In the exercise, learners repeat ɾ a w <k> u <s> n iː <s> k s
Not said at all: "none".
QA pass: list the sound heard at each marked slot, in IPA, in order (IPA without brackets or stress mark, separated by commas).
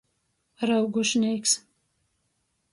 ɡ, ʃ, none